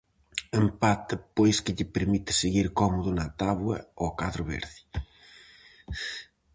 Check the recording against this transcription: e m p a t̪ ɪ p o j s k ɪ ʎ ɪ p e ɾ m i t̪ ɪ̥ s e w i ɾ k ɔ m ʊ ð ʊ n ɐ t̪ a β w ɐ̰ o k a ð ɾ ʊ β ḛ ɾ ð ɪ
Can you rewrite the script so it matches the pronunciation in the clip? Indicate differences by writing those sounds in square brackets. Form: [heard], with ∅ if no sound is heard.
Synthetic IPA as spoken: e m p a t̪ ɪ p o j s k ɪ ʎ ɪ p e ɾ m i t̪ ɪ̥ s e [ɣ] i ɾ k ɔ m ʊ ð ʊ n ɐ t̪ a β w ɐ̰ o k a ð ɾ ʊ β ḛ ɾ ð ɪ

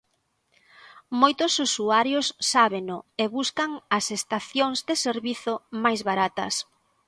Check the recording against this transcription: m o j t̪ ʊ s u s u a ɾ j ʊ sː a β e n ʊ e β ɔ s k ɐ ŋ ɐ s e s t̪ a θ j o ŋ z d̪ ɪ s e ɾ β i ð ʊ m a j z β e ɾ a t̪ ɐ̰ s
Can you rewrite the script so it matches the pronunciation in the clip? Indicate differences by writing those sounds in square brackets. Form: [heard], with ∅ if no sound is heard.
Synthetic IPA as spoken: m o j t̪ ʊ s u s u a ɾ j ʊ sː a β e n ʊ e β [u] s k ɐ ŋ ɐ s e s t̪ a θ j o ŋ z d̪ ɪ s e ɾ β i [θ] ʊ m a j z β [a] ɾ a t̪ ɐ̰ s

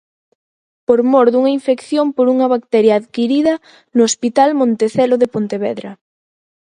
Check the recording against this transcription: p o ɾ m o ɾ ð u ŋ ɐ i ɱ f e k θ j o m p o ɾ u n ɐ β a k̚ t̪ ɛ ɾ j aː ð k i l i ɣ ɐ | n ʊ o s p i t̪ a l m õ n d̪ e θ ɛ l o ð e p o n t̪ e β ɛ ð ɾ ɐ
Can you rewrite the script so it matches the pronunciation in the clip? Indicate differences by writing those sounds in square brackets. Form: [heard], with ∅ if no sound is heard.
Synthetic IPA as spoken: p o ɾ m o ɾ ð u ŋ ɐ i ɱ f e k θ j o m p o ɾ u [ŋ] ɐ β a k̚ t̪ ɛ ɾ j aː ð k i [ɾ] i [ð] ɐ | n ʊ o s p i t̪ a l m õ n [t̪] e θ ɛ l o ð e p o n t̪ e β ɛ ð ɾ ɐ

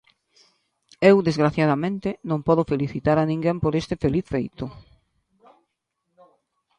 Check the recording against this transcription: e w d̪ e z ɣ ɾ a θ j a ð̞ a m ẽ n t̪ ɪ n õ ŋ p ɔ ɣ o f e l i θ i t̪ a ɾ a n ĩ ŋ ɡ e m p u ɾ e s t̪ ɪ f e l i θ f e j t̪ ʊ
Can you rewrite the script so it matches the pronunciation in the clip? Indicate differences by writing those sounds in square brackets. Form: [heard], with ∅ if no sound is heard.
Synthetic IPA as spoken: e w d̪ e z ɣ ɾ a θ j a ð̞ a m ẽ n t̪ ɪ n õ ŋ p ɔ [ð] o f e l i θ i t̪ a ɾ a n ĩ ŋ ɡ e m p [o] ɾ e s t̪ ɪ f e l i θ f e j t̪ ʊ

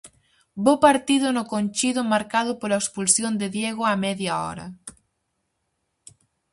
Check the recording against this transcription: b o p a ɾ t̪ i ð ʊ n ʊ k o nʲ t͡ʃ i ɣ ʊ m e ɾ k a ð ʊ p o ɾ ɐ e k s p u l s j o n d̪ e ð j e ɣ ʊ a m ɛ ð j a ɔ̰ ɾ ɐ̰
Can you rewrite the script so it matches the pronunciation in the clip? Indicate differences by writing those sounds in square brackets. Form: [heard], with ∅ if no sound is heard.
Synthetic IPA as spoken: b o p a ɾ t̪ i ð ʊ n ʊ k o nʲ t͡ʃ i [ð] ʊ m [a] ɾ k a ð ʊ p o [l] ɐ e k s p u l s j o n d̪ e ð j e ɣ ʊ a m ɛ ð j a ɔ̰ ɾ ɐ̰

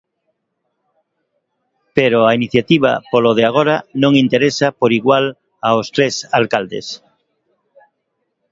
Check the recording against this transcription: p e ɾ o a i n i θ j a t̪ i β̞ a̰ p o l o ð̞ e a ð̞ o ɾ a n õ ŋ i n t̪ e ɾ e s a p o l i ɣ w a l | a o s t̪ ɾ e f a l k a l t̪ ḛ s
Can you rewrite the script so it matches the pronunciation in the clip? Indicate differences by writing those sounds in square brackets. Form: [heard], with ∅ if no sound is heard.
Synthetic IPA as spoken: p e ɾ o a i n i θ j a t̪ i β̞ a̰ p o l o ð̞ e a [ɣ̞] o ɾ a n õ ŋ i n t̪ e ɾ e s a p o [ɾ] i ɣ w a l | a o s t̪ ɾ e [s] a l k a l [d̪] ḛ s

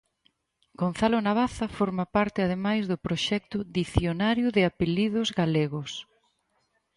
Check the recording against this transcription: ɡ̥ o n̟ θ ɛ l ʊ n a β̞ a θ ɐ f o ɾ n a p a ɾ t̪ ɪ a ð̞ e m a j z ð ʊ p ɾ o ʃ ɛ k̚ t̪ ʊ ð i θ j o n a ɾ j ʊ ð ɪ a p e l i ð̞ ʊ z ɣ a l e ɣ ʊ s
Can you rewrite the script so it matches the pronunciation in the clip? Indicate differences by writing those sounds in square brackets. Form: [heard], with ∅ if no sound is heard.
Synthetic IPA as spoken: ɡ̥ o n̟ θ [a] l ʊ n a β̞ a θ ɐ f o ɾ [m] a p a ɾ t̪ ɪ a ð̞ e m a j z ð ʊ p ɾ o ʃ ɛ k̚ t̪ ʊ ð i θ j o n a ɾ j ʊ ð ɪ a p e l i ð̞ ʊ z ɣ a l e ɣ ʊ s

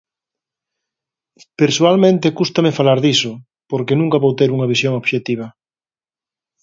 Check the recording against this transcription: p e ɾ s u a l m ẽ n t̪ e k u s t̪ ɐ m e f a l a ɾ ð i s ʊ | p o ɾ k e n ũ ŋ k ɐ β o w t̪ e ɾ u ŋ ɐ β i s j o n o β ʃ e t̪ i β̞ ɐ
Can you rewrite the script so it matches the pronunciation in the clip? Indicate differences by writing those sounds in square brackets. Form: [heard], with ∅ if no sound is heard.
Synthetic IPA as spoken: p e ɾ s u a l m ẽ n t̪ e k u s t̪ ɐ m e f a l a ɾ ð i s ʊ | p o ɾ k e n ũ ŋ k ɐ β o w t̪ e ɾ u ŋ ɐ β i s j o [ŋ] o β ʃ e t̪ i β̞ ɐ

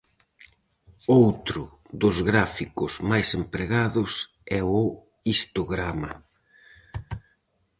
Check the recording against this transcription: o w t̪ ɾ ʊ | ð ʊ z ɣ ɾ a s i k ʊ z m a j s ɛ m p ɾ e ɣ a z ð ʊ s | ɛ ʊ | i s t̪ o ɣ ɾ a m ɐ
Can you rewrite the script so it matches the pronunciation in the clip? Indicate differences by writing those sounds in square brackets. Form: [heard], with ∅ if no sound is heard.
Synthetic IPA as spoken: o w t̪ ɾ ʊ | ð ʊ z ɣ ɾ a [f] i k ʊ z m a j s [e] m p ɾ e ɣ a [∅] ð ʊ s | ɛ ʊ | i s t̪ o ɣ ɾ a m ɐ

